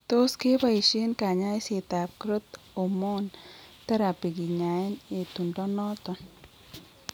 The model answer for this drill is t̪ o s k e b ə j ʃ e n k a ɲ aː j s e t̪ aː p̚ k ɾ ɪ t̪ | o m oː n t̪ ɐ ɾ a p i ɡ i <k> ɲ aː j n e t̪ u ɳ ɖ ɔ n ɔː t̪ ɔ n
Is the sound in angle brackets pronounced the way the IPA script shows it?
no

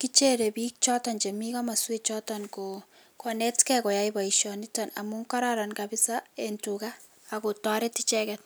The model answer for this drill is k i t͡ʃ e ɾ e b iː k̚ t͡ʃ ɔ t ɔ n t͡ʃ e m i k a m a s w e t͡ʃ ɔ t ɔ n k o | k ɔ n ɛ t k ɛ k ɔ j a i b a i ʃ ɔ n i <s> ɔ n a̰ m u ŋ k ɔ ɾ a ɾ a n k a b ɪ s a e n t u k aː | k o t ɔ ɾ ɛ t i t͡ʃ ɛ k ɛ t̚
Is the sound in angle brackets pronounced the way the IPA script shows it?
no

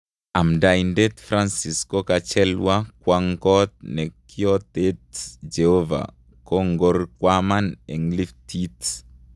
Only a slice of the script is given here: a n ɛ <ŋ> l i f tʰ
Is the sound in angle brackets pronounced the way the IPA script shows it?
yes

